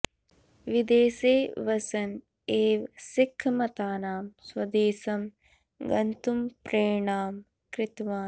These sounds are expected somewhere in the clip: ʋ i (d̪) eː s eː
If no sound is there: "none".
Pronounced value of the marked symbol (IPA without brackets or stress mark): d̪